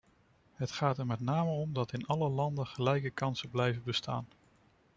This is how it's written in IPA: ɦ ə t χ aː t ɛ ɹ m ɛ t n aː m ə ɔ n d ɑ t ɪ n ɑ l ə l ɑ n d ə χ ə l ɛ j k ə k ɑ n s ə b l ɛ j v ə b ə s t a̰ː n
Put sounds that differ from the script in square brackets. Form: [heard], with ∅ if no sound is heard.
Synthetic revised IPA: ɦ ə t χ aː t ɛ ɹ m ɛ t n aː m ə ɔ [m] d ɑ t ɪ n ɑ l ə l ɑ n d ə χ ə l ɛ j k ə k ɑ n s ə b l ɛ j v ə b ə s t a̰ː n